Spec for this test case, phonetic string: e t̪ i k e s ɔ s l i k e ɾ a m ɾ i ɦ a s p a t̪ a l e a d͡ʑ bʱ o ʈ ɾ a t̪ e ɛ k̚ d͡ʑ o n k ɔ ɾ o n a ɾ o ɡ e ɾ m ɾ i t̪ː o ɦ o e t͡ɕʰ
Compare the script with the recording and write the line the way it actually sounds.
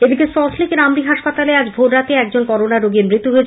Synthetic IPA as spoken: e d̪ i k e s ɔ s l i k e ɾ a m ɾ i ɦ a ʃ p a t̪ a l e a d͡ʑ bʱ o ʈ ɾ a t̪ e ɛ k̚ d͡ʑ o n k ɔ ɾ o n a ɾ o ɡ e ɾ m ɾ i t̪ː u ɦ o e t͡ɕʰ